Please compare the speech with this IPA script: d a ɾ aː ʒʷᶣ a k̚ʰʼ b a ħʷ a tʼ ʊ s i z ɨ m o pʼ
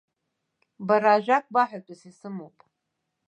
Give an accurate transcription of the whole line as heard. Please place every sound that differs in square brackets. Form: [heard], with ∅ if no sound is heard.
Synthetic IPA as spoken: [b] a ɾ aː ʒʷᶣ a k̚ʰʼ b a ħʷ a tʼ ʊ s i [s] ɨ m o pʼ